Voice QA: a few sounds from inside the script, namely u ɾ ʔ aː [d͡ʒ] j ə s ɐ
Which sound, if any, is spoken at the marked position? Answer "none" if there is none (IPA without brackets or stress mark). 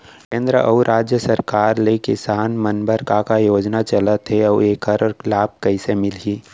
d͡ʒ